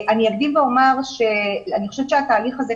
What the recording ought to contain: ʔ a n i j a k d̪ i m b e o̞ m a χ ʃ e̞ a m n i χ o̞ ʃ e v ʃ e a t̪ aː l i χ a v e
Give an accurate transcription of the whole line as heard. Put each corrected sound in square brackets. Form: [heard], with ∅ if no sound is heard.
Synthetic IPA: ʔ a n i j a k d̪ i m [v] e o̞ m a [ʁ] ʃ e̞ a [∅] n i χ o̞ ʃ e v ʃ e a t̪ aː l i χ a [z] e